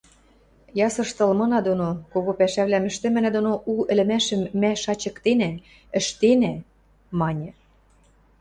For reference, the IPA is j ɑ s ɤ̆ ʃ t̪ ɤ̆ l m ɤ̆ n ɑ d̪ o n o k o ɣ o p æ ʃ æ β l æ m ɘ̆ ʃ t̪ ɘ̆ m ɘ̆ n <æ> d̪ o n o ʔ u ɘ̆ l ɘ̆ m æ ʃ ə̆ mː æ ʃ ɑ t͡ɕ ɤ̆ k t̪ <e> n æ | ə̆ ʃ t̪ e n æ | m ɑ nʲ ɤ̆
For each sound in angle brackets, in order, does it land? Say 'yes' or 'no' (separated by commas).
yes, yes